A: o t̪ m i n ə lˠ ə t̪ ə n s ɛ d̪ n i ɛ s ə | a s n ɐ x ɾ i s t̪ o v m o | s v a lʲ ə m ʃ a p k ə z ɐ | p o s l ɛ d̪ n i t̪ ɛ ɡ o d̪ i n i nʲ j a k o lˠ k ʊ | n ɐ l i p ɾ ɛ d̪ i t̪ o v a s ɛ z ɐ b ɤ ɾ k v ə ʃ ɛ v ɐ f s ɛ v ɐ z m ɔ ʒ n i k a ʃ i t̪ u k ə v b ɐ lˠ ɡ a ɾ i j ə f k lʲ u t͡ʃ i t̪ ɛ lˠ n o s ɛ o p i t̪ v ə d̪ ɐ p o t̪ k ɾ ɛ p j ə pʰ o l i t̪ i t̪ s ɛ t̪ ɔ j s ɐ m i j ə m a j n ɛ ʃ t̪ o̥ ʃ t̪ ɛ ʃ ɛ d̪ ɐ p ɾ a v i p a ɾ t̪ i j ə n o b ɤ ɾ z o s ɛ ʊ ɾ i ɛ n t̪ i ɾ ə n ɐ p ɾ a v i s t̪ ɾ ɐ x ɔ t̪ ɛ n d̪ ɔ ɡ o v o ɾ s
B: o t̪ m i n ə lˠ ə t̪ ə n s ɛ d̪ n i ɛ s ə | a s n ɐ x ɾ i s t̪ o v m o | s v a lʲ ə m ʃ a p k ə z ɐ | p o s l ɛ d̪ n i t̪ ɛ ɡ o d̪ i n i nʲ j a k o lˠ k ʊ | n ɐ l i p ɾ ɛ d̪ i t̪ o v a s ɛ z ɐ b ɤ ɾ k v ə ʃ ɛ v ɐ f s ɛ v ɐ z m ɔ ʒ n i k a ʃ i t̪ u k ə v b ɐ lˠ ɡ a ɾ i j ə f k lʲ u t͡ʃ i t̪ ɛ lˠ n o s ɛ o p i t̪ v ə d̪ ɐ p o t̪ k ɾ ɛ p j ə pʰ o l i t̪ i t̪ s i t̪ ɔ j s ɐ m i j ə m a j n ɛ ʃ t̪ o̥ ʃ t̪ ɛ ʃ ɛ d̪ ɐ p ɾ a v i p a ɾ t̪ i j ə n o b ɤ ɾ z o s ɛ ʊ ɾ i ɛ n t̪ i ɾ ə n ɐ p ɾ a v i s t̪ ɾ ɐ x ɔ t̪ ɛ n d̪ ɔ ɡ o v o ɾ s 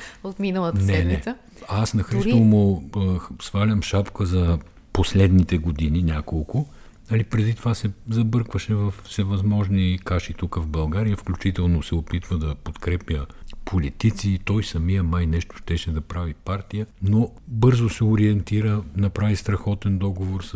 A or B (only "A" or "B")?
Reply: B